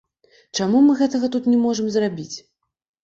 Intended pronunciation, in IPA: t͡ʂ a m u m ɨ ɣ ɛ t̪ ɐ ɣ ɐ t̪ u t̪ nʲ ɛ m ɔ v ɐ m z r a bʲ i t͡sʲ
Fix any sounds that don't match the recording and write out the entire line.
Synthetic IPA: t͡ʂ a m u m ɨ ɣ ɛ t̪ ɐ ɣ ɐ t̪ u t̪ nʲ ɛ m ɔ ʐ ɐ m z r a bʲ i t͡sʲ

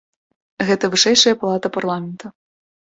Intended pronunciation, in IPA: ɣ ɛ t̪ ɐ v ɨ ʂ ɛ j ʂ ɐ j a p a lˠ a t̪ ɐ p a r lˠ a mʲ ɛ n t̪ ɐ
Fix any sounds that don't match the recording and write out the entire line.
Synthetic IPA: ɣ ɛ t̪ ɐ v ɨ ʂ ɛ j ʂ ɐ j ɐ p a lˠ a t̪ ɐ p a r lˠ a mʲ ɛ n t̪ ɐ

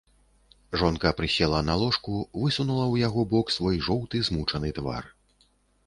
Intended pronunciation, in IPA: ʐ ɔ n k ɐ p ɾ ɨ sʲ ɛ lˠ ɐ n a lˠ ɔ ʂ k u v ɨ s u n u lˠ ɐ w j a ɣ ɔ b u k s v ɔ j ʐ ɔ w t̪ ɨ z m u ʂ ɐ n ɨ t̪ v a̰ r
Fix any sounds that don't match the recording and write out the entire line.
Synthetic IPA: ʐ ɔ n k ɐ p ɾ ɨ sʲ ɛ lˠ ɐ n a lˠ ɔ ʂ k u v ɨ s u n u lˠ ɐ w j a ɣ ɔ b ɔ k s v ɔ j ʐ ɔ w t̪ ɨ z m u t͡ʂ ɐ n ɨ t̪ v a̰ r

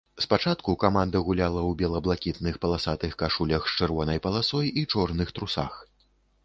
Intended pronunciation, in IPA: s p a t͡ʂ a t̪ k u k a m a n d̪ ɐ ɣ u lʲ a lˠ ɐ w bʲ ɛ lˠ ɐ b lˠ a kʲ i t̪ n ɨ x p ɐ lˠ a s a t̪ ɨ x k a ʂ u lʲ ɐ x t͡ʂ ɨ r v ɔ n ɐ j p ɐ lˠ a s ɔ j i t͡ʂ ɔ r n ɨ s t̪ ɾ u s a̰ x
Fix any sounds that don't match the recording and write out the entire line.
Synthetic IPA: s p a t͡ʂ a t̪ k u k a m a n d̪ ɐ ɣ u lʲ a lˠ ɐ w bʲ ɛ lˠ ɐ b lˠ a kʲ i t̪ n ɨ x p ɐ lˠ a s a t̪ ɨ x k a ʂ u lʲ ɐ x t͡ʂ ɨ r v ɔ n ɐ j p ɐ lˠ a s ɔ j i t͡ʂ ɔ r n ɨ x t̪ ɾ u s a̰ x

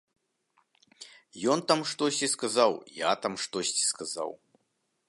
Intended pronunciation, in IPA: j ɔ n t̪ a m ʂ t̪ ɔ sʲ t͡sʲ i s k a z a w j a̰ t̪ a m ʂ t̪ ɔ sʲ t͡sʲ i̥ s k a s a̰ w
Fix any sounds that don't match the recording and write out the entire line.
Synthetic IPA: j ɔ n t̪ a m ʂ t̪ ɔ sʲ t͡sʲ i s k a z a w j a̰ t̪ a m ʂ t̪ ɔ sʲ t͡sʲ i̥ s k a z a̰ w

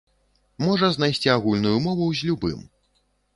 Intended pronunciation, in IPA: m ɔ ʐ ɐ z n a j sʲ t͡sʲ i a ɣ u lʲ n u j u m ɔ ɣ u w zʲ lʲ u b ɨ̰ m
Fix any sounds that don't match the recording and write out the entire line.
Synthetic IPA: m ɔ ʐ ɐ z n a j sʲ t͡sʲ i a ɣ u lʲ n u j u m ɔ v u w zʲ lʲ u b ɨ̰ m

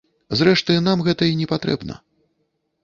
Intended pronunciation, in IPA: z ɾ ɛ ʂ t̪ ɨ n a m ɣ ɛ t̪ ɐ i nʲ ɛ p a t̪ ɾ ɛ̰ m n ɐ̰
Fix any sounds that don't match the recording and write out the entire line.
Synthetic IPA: z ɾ ɛ ʂ t̪ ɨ n a m ɣ ɛ t̪ ɐ i nʲ ɛ p a t̪ ɾ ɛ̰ b n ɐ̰

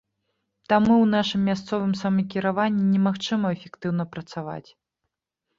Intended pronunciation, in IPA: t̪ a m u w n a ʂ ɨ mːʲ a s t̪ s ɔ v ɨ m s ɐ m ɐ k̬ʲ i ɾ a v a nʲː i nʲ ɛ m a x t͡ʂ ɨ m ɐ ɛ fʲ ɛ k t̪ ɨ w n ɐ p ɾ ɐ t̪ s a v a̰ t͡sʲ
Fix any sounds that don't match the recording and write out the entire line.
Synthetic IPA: t̪ a m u w n a ʂ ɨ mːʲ a s t̪ s ɔ v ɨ m s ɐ m ɐ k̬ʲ i ɾ a v a nʲː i nʲ ɛ m a x t͡ʂ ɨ m ɐ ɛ fʲ ɛ k t̪ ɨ w n ɐ p ɾ ɐ t̪ s a v a̰ t͡sʲ

